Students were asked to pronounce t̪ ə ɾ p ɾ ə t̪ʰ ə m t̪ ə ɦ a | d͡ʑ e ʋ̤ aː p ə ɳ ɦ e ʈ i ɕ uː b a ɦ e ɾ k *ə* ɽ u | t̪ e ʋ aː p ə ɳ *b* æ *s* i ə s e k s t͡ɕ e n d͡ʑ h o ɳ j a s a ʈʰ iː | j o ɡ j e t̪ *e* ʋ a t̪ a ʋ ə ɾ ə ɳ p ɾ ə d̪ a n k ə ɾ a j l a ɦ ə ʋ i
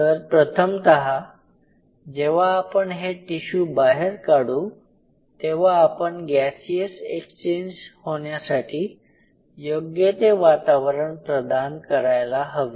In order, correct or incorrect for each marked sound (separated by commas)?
incorrect, incorrect, correct, correct